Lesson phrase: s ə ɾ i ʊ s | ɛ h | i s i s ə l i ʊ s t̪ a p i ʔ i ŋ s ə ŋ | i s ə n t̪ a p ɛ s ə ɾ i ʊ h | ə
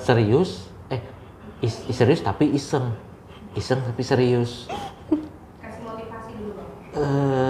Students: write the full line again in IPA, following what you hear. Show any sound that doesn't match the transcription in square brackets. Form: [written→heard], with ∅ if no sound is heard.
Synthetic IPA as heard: s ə ɾ i ʊ s | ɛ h | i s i s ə [l→ɾ] i ʊ s t̪ a p i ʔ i [ŋ→∅] s ə ŋ | i s ə [n→ŋ] t̪ a p [ɛ→i] s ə ɾ i ʊ [h→s] | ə